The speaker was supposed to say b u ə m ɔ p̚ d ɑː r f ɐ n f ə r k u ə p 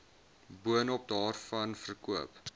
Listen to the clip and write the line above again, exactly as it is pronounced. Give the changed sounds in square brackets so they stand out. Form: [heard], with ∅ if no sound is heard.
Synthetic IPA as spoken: b u ə [n] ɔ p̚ d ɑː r f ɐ n f ə r k u ə p